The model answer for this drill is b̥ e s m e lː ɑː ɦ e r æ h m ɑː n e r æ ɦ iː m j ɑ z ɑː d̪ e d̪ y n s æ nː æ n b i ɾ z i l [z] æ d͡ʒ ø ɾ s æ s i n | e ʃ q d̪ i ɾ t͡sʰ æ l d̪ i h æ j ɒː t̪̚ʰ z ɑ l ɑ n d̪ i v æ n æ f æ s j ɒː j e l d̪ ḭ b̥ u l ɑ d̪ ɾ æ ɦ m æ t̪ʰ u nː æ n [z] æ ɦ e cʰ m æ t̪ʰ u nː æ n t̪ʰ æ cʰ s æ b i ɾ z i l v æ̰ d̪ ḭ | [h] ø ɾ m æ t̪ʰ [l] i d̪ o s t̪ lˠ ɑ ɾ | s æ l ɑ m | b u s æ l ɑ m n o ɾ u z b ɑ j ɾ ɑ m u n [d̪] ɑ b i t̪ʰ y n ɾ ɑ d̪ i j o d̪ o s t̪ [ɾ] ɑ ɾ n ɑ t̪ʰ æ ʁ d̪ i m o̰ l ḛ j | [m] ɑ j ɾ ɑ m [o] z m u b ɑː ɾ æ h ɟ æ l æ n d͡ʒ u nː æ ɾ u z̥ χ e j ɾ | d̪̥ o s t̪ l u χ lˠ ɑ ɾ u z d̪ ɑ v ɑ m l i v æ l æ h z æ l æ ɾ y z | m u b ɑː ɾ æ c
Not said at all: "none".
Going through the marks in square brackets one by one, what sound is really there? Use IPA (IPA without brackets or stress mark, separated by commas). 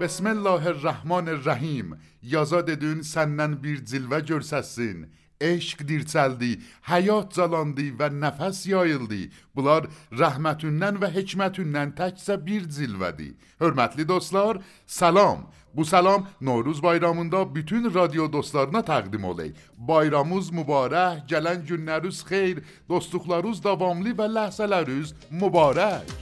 v, v, h, l, d̪, l, b, u